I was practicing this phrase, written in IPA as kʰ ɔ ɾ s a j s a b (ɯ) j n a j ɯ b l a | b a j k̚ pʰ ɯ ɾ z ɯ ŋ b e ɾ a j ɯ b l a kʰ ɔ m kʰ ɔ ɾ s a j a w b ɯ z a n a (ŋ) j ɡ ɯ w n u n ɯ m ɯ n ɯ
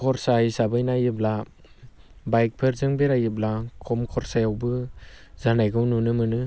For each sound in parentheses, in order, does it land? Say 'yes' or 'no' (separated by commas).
yes, no